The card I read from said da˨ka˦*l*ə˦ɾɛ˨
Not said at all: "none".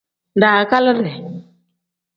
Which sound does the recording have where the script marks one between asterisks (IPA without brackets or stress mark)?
l